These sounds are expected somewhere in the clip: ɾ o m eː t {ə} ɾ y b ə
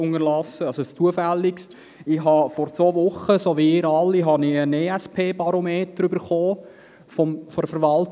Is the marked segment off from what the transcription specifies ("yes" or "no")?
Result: no